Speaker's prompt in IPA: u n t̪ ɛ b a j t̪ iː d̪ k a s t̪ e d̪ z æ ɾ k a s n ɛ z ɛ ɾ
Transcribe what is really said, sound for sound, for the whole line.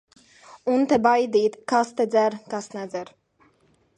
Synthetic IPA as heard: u n t̪ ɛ b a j d̪ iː t̪ k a s t̪ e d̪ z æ ɾ k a s n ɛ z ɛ ɾ